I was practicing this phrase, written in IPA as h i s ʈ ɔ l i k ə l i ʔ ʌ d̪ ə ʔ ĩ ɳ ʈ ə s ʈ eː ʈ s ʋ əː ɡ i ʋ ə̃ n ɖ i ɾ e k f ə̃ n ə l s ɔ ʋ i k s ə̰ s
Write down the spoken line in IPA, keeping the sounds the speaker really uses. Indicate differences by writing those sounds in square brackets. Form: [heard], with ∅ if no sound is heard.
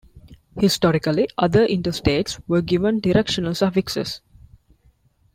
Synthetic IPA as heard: h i s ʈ ɔ [ɾ] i k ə l i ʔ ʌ d̪ ə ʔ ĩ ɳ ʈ ə s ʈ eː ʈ s ʋ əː ɡ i ʋ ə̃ n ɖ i ɾ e k [ʃ] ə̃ n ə l s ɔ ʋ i k s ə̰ s